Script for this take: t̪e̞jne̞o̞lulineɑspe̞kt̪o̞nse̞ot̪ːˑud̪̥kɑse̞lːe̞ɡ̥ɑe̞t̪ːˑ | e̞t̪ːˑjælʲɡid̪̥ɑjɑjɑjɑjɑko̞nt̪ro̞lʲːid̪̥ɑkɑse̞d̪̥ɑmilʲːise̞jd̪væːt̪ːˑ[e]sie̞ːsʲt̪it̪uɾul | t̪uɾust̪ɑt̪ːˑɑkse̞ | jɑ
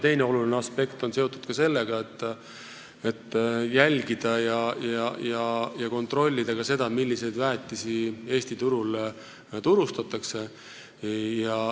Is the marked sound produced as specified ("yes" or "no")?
no